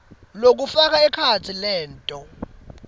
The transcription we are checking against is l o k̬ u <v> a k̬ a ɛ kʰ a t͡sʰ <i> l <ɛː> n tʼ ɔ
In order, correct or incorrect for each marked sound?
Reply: incorrect: f, correct, correct

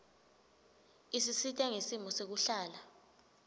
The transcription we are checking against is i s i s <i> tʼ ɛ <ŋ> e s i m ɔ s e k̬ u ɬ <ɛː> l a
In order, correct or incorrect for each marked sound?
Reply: correct, correct, incorrect: aː

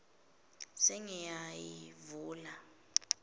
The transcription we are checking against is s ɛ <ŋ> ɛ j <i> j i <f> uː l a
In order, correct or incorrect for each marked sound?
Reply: correct, incorrect: a, incorrect: v

